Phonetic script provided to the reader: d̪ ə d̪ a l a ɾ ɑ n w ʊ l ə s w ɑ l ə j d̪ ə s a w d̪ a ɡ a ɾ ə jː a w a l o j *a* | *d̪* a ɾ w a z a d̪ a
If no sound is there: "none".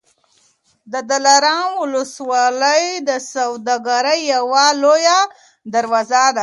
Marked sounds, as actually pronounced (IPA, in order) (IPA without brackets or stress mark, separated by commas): a, d̪